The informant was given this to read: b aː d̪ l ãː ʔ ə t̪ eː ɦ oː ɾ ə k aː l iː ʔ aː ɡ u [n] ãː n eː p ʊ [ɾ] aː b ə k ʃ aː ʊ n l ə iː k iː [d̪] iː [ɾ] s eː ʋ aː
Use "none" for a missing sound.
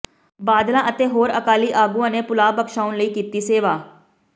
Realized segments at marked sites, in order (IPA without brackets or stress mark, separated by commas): none, l, t̪, none